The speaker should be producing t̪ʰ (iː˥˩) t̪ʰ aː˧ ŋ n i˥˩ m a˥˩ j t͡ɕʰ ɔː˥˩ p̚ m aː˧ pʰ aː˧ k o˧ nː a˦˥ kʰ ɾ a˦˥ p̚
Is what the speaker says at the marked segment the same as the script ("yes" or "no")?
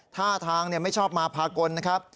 no